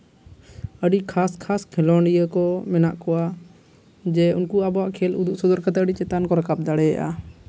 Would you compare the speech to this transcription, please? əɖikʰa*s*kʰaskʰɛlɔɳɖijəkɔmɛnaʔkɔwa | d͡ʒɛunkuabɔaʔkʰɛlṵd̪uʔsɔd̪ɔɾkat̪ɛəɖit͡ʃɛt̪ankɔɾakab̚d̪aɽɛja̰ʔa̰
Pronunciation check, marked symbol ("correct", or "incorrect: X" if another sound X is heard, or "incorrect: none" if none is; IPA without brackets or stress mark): correct